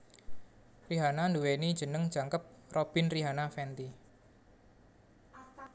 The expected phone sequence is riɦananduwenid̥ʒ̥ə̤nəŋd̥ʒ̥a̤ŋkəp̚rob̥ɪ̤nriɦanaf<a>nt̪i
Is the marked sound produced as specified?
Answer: no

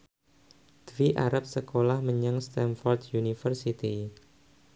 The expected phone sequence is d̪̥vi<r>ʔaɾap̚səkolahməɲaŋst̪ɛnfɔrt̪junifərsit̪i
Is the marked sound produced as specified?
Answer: no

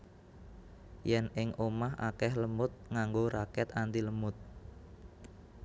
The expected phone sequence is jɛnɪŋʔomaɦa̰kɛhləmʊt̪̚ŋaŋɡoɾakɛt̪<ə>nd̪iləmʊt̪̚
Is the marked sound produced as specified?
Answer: no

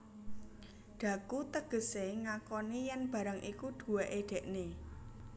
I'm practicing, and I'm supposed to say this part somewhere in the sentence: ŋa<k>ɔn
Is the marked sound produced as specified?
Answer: yes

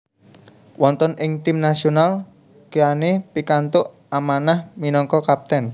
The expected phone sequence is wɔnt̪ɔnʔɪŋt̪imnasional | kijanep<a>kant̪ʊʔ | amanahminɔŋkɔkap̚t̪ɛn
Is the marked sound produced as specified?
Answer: no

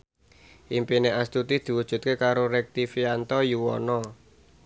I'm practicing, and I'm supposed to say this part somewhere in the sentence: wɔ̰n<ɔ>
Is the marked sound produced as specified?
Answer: yes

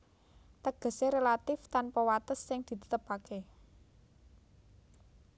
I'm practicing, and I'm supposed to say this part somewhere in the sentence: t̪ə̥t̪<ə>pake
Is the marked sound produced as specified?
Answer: yes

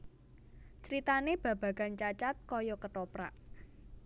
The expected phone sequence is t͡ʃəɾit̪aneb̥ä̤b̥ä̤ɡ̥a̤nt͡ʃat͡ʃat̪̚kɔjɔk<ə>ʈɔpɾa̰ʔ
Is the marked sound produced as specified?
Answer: yes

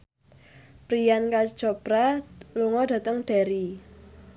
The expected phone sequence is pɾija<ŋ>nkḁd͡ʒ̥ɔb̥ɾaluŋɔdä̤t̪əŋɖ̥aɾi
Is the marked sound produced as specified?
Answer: no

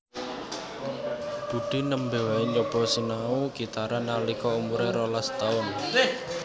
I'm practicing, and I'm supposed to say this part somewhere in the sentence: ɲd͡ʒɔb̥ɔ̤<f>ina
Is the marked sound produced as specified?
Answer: no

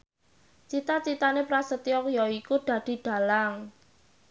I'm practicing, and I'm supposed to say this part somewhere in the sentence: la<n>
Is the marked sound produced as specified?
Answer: no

